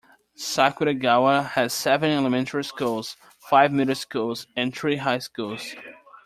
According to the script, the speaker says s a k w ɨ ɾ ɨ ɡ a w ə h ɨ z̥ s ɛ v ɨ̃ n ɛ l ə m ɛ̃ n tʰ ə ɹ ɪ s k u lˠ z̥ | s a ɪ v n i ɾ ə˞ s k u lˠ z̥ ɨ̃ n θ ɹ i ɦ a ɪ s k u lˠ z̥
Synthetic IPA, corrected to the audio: s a k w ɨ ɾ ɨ ɡ a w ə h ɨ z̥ s ɛ v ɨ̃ n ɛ l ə m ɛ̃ n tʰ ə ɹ i s k u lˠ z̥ | f a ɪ v m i ɾ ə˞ s k u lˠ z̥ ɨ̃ n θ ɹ i ɦ a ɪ s k u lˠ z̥